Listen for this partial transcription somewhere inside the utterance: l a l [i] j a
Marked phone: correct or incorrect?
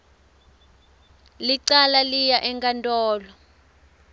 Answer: correct